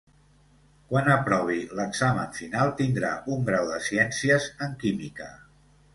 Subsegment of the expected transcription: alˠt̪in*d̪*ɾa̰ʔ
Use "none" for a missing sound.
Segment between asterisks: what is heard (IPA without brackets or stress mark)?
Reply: d̪